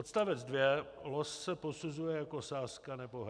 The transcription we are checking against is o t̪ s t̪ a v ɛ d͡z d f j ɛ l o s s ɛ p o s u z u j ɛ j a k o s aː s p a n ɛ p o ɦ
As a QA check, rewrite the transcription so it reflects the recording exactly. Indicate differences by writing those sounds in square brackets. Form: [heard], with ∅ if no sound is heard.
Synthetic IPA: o t̪ s t̪ a v ɛ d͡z d [v] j ɛ l o s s ɛ p o s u z u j ɛ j a k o s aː s [k] a n ɛ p o ɦ